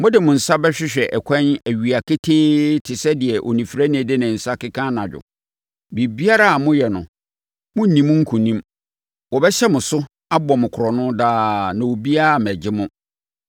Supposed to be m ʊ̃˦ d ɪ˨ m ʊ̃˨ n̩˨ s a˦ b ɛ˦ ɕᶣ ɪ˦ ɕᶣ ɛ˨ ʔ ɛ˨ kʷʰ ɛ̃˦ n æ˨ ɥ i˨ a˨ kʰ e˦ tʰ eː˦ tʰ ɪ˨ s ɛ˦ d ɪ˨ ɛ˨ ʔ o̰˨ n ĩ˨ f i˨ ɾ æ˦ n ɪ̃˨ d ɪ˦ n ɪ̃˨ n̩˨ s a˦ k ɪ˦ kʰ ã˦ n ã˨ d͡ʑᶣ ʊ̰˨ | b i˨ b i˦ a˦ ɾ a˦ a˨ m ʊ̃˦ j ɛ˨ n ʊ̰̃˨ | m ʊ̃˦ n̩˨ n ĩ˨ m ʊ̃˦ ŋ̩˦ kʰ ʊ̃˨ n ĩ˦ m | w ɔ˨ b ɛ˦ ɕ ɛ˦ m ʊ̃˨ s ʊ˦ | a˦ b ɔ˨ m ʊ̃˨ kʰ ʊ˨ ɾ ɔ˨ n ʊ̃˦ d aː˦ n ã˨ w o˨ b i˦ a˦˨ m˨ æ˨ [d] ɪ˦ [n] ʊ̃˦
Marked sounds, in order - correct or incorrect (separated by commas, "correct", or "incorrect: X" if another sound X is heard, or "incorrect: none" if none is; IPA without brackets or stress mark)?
incorrect: d͡ʑ, incorrect: m